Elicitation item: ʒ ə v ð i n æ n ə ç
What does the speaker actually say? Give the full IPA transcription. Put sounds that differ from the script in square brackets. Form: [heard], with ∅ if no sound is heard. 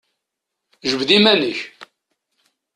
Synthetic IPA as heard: ʒ ə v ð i [m] æ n ə ç